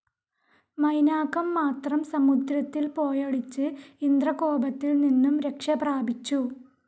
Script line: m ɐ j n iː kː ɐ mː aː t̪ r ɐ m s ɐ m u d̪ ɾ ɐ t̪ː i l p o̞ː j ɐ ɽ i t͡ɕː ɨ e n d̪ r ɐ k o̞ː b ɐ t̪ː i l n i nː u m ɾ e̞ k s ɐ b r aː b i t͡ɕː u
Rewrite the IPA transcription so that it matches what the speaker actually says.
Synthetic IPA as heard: m ɐ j n aː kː ɐ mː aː t̪ r ɐ m s ɐ m u d̪ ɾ ɐ t̪ː i l p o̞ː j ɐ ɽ i t͡ɕː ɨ i n d̪ r ɐ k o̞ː b ɐ t̪ː i l n i nː u m ɾ e̞ k ʂ ɐ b r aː b i t͡ɕː u